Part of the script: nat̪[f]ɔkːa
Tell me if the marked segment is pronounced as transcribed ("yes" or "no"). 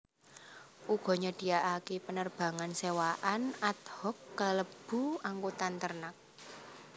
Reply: no